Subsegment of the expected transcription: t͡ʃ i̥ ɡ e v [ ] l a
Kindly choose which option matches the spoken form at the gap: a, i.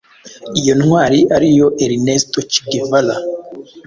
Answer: a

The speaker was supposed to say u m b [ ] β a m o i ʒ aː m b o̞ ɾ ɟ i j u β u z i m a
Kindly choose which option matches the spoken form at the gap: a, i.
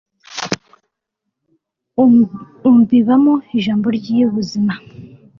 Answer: i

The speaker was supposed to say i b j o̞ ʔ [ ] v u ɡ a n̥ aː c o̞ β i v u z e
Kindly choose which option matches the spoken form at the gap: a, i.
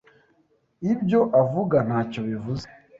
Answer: a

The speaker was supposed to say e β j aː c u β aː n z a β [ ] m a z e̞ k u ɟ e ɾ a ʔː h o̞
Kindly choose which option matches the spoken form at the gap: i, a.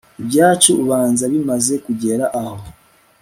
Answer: i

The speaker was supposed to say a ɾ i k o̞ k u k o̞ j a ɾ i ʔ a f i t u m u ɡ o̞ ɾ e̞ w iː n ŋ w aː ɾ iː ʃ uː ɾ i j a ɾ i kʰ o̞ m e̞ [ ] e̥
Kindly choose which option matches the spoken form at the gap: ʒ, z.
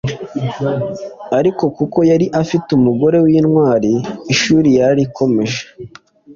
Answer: ʒ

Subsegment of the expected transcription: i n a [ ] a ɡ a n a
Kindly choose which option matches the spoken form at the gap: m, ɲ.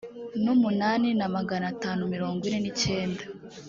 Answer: m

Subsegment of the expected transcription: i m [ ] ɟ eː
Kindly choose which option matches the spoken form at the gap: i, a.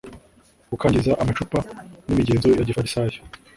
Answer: i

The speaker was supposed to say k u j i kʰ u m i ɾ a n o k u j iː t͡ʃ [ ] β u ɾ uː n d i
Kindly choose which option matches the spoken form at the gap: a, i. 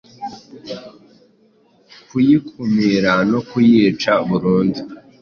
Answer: a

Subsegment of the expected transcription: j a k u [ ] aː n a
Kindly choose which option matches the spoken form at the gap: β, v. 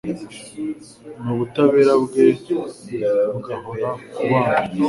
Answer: β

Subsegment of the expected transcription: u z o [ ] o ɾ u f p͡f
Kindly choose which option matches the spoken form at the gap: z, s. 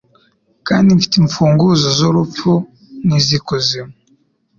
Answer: z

